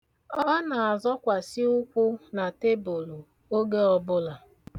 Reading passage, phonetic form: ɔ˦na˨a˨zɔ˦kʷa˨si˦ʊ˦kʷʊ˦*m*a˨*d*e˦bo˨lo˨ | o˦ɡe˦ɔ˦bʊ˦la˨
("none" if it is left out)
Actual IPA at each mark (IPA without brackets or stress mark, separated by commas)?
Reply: n, t